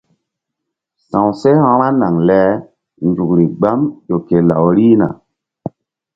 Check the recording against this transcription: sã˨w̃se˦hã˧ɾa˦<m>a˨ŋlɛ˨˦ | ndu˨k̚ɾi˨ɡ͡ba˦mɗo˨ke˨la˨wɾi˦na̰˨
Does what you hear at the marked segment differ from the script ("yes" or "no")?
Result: yes